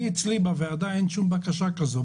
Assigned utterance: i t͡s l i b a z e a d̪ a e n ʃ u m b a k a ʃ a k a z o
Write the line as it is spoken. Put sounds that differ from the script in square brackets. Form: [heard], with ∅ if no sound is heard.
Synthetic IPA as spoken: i t͡s l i b a [v] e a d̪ a e n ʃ u m b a k a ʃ a k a z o